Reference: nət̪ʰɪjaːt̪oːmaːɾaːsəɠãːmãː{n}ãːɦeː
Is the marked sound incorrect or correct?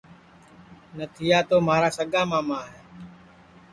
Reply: incorrect